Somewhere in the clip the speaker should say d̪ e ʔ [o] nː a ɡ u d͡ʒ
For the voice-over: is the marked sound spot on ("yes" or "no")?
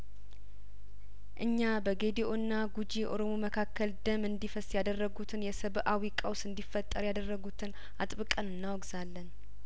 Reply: yes